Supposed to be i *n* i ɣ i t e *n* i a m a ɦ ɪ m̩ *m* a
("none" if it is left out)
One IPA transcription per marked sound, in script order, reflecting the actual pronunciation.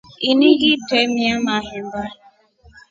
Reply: n, m, b

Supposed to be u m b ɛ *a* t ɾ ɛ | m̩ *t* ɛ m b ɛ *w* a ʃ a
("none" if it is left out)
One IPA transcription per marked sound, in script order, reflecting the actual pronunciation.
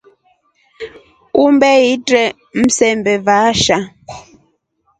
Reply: i, s, v

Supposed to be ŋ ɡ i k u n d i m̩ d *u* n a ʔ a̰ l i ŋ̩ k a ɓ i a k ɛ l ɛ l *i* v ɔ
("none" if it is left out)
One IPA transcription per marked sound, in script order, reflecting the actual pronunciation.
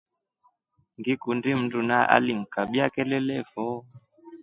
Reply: u, ɛ

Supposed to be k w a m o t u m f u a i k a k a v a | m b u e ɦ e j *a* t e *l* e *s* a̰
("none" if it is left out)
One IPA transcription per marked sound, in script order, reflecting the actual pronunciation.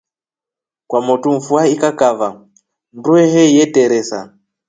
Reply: e, ɾ, s

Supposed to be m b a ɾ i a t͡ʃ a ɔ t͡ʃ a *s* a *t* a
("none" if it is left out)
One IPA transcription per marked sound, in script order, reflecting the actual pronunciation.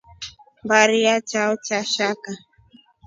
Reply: ʃ, k

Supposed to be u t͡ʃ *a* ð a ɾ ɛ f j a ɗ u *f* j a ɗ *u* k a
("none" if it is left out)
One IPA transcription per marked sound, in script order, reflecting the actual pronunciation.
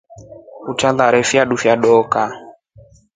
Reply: a, f, ɔ

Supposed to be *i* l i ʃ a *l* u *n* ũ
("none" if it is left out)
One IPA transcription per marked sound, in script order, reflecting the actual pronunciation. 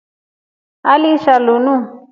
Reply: a, l, n

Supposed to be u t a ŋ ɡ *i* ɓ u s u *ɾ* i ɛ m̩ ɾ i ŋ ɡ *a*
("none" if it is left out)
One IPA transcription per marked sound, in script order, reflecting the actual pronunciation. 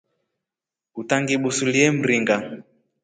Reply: i, l, a

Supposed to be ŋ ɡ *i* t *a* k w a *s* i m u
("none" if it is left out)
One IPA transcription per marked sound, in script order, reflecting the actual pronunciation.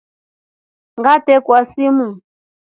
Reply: a, ɛ, s

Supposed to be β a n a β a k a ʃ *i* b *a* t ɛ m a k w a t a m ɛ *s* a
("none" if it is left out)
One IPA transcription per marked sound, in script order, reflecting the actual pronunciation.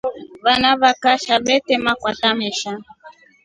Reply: a, ɛ, ʃ

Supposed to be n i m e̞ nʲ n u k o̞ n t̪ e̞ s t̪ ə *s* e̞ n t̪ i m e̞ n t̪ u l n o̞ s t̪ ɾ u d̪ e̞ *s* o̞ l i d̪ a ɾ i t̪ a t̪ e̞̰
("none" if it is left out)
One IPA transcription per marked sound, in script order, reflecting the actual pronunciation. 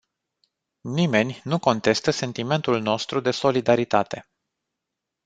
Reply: s, s

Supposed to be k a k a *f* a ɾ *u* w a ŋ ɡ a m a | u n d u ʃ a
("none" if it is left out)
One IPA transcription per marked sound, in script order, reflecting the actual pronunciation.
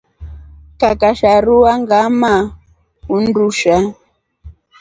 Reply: ʃ, u

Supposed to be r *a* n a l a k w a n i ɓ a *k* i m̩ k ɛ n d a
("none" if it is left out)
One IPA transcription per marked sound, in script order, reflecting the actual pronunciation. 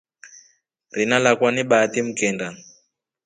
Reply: i, t

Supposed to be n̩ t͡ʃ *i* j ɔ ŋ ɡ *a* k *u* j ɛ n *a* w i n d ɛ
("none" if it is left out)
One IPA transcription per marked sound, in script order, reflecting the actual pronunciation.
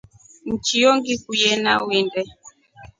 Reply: i, i, u, a

